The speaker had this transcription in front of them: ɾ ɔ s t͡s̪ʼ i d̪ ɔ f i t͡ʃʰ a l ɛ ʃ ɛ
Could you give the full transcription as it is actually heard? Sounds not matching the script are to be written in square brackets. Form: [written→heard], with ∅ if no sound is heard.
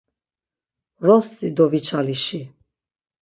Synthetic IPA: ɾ ɔ s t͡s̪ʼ i d̪ ɔ [f→v] i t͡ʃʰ a l [ɛ→i] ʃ [ɛ→i]